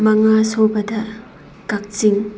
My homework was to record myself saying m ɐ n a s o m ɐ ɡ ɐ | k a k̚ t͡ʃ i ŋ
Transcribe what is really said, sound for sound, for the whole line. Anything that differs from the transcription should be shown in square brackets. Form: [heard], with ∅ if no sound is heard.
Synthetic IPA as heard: m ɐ [ŋ] a s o [b] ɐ [d] ɐ | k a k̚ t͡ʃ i ŋ